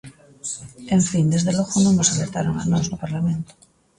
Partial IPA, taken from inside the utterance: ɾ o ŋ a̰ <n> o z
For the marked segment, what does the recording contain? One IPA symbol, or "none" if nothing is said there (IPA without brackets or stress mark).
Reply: n